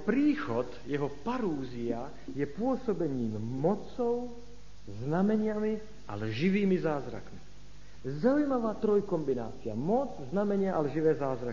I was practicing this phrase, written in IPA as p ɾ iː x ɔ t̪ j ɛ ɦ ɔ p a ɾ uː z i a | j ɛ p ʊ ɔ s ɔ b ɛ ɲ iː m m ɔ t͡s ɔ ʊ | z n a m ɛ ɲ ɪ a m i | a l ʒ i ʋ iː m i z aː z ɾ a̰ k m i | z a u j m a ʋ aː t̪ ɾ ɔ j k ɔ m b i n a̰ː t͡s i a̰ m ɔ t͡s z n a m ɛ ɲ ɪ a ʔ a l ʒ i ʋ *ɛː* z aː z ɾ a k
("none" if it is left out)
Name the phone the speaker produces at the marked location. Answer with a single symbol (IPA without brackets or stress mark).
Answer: ɛː